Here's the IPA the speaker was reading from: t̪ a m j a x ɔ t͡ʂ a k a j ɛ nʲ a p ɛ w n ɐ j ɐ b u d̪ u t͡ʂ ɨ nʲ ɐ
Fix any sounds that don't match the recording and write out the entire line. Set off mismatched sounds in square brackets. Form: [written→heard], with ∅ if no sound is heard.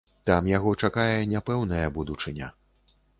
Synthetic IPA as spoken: t̪ a m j a [x→ɣ] ɔ t͡ʂ a k a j ɛ nʲ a p ɛ w n ɐ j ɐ b u d̪ u t͡ʂ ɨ nʲ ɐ